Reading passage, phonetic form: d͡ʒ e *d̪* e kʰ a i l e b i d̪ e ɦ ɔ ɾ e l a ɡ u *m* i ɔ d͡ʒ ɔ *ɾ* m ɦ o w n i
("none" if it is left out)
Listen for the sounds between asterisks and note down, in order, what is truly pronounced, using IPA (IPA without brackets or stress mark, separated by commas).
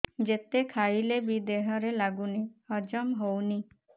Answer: t̪, n, none